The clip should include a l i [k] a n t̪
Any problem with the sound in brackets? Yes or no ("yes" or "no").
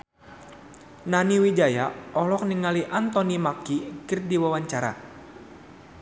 yes